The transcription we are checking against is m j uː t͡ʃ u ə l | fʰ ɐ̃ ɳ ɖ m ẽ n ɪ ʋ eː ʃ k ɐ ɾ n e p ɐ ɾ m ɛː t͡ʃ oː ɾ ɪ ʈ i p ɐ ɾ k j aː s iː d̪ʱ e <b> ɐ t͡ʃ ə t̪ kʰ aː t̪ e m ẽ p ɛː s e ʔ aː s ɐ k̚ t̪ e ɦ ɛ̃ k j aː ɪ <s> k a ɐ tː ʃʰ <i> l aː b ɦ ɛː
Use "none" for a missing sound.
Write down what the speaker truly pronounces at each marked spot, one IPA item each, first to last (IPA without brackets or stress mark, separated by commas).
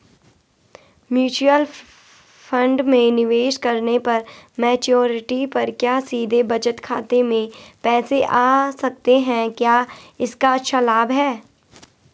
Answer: b, s, a